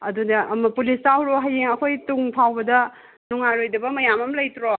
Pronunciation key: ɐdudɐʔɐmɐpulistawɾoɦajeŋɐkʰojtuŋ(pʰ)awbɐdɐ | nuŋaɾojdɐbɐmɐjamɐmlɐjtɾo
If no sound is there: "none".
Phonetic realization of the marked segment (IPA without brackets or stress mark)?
pʰ